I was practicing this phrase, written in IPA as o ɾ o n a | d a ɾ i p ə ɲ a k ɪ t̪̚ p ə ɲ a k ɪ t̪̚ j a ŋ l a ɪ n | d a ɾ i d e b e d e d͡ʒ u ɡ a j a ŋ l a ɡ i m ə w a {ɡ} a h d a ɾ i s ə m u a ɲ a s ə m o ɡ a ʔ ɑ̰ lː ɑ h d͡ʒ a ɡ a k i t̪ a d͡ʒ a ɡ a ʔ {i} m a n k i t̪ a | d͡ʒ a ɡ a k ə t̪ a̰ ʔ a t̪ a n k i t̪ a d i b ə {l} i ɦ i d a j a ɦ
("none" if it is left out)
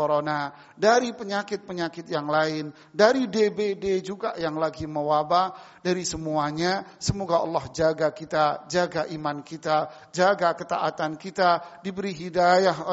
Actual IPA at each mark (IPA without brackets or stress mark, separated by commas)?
b, i, ɾ